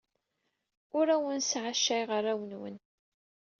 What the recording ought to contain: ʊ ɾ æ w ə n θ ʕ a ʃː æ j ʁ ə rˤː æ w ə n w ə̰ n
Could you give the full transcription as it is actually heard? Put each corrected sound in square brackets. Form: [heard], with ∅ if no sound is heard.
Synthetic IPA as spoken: ʊ ɾ æ w ə n [s] ʕ a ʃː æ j ʁ ə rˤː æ w ə n w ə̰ n

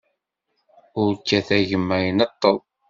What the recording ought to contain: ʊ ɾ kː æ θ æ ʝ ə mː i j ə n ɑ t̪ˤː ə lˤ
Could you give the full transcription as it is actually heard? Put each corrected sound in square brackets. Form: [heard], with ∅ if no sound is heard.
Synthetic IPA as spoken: ʊ ɾ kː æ θ æ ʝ ə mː [æ] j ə n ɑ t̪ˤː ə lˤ

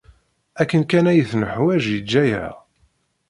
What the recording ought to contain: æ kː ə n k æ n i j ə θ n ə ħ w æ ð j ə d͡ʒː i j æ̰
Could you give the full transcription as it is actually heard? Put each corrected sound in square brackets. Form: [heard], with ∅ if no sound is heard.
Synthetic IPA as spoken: æ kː ə n k æ n [æ] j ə θ n ə ħ w æ [ʒ] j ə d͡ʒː [æ] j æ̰

